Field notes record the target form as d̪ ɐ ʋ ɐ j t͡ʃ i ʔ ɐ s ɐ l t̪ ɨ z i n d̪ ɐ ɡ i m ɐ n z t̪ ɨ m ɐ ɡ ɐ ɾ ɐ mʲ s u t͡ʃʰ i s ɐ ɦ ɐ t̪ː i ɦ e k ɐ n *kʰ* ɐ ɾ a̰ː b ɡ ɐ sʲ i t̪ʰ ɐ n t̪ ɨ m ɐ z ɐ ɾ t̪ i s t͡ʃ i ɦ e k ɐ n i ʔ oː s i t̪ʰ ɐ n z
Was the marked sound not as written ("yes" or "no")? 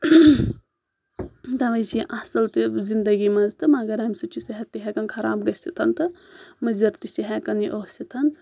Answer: no